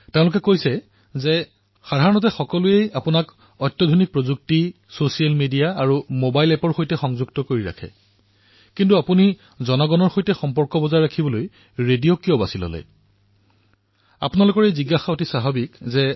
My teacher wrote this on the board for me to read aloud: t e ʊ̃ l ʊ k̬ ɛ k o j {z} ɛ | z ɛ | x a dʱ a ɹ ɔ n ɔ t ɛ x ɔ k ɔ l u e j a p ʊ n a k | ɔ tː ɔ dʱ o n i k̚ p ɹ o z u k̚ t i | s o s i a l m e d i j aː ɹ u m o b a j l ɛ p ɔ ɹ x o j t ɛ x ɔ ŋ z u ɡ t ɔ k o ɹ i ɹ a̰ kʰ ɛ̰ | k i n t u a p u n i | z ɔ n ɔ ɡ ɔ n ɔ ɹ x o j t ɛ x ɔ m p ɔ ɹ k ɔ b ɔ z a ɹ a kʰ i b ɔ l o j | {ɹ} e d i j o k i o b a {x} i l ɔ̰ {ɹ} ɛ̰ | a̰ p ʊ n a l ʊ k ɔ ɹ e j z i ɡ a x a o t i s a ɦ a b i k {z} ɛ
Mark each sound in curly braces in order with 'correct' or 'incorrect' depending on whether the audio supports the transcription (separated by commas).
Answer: incorrect, correct, incorrect, incorrect, correct